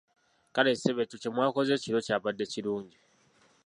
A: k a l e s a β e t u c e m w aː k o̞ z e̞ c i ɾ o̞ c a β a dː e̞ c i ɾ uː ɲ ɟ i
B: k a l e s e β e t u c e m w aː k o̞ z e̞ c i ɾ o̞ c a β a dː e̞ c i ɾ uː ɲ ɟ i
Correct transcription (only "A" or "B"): B